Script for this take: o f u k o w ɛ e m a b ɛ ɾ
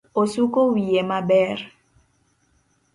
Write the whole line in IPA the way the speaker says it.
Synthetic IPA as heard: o s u k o w i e m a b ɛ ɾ